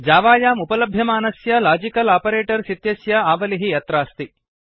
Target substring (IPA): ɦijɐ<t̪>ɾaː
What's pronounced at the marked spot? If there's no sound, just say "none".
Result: t̪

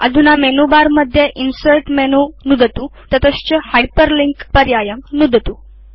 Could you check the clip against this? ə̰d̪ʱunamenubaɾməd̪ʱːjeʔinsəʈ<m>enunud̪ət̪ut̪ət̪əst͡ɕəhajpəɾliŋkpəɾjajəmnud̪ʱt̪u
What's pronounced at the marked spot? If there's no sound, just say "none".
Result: m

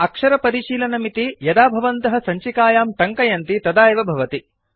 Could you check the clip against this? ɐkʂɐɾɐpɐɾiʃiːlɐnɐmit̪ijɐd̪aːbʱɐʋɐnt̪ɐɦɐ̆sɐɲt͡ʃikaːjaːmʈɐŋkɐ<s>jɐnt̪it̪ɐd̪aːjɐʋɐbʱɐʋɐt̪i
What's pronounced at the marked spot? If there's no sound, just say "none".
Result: none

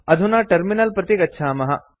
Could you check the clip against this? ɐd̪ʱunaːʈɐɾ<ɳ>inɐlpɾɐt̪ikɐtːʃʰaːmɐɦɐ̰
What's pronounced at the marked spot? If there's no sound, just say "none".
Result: m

